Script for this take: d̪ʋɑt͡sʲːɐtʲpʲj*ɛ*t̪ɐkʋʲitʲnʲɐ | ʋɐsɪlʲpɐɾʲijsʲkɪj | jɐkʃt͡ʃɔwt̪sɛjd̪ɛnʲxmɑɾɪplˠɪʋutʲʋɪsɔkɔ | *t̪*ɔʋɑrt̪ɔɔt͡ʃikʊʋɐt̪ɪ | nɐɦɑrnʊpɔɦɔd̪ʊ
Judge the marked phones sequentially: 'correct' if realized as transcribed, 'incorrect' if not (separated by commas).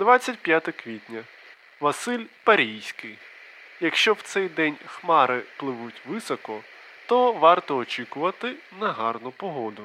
incorrect, correct